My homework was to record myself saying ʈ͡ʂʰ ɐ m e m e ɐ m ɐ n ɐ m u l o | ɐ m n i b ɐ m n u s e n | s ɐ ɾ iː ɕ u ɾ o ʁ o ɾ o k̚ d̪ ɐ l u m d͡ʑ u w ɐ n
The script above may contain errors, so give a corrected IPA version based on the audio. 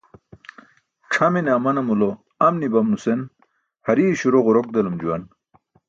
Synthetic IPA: ʈ͡ʂʰ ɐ m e n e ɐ m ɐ n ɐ m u l o | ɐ m n i b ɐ m n u s e n | h ɐ ɾ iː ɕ u ɾ o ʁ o ɾ o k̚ d̪ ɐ l u m d͡ʑ u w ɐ n